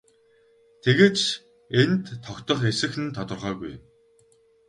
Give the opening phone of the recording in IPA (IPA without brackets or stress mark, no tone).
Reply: t̪ʰ